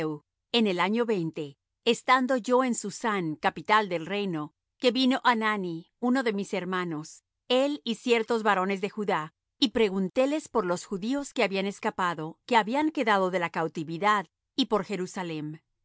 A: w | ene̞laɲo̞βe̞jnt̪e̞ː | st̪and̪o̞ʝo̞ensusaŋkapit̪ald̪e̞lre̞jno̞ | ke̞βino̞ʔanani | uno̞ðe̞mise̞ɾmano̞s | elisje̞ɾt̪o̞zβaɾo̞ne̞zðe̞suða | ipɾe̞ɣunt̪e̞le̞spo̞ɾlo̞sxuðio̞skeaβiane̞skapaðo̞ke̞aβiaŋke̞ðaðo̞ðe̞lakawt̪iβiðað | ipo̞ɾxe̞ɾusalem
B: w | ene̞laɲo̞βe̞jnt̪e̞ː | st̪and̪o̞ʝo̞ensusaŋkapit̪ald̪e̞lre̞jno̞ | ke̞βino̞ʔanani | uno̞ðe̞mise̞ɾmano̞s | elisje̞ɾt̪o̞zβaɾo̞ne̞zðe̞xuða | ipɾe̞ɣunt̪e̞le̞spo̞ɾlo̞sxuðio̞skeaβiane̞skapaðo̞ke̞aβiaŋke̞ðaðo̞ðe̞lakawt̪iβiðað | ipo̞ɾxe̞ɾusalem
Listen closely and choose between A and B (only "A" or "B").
B